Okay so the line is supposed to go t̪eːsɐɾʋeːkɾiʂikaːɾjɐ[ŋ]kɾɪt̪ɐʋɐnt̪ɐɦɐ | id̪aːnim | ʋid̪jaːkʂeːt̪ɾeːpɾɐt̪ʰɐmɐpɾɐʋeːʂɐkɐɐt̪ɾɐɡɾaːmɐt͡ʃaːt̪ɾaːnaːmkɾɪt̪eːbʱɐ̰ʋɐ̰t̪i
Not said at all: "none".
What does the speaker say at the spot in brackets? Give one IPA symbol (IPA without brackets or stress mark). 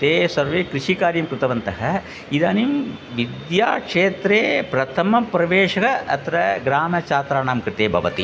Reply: m